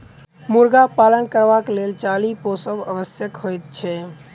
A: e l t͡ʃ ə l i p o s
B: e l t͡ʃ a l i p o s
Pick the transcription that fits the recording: B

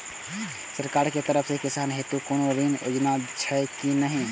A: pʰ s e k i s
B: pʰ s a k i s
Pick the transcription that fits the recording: A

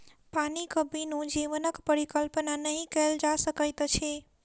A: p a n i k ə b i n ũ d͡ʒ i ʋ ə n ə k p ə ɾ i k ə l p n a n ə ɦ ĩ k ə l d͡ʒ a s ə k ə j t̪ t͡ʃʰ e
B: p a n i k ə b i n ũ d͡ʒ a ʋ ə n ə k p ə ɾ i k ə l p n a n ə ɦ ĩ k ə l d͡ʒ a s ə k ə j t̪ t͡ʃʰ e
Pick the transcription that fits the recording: A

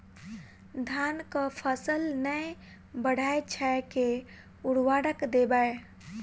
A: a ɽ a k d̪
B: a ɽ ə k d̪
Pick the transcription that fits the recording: B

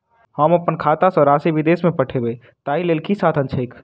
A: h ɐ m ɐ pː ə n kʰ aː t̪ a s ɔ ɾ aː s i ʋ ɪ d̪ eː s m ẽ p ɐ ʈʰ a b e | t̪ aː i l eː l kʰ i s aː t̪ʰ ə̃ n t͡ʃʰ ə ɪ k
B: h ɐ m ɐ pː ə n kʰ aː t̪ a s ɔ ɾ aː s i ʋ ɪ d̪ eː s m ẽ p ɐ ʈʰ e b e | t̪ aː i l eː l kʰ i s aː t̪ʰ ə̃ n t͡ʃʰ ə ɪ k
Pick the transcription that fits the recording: B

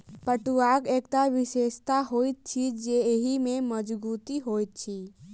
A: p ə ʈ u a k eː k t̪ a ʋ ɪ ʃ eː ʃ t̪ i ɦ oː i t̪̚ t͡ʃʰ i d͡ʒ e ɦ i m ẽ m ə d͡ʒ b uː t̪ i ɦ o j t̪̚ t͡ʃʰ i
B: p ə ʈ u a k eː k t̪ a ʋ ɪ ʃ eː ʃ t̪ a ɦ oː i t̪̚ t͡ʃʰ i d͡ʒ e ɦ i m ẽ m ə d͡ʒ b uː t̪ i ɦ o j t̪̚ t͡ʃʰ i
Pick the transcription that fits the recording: B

